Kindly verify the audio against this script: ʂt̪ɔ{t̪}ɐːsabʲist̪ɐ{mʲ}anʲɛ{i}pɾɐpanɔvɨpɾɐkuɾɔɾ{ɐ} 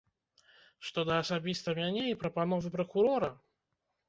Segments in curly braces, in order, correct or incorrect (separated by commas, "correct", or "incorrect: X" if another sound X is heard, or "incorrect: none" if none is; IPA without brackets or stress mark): incorrect: d̪, correct, correct, correct